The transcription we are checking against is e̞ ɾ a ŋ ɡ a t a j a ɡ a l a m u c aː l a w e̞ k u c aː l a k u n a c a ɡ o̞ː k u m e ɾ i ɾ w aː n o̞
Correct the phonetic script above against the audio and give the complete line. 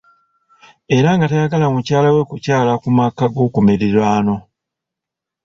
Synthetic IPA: e̞ ɾ a ŋ ɡ a t a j a ɡ a l a m u c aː l a w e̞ k u c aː l a k u m a k a ɡ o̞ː k u m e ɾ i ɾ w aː n o̞